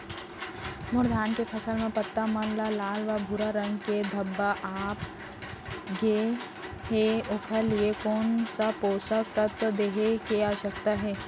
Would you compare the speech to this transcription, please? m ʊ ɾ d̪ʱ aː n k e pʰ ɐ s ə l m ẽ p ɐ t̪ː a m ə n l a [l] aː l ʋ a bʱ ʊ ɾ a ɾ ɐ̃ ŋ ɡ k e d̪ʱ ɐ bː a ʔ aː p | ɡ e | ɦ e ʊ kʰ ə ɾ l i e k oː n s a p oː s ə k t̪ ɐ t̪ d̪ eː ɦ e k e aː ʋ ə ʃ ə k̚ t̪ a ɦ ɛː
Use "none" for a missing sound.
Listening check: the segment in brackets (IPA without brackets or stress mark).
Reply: l